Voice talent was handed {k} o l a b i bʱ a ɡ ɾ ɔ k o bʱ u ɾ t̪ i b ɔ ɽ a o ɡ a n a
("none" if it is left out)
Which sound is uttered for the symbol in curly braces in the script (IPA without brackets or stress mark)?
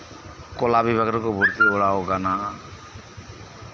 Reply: k